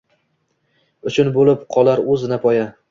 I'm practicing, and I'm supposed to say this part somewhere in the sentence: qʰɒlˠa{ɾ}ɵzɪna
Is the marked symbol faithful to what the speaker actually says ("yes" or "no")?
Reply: yes